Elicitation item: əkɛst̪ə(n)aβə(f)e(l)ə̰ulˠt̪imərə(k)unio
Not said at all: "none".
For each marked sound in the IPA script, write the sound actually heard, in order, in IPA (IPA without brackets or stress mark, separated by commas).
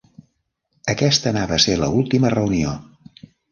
n, s, l, none